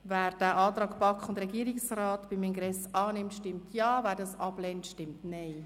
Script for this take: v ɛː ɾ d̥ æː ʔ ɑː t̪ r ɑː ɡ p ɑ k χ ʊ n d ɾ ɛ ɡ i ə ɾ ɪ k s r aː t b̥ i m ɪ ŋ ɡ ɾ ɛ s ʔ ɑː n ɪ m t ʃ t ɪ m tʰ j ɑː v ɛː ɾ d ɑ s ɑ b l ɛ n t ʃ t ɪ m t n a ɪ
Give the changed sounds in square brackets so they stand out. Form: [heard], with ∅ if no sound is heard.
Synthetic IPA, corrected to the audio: v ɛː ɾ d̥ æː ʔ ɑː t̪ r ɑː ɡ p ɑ k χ ʊ n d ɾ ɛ ɡ i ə ɾ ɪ k s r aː t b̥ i m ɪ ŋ ɡ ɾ ɛ s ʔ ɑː n ɪ m t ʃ t ɪ m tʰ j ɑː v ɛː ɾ d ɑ s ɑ b l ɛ n t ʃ t ɪ m t n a ɪ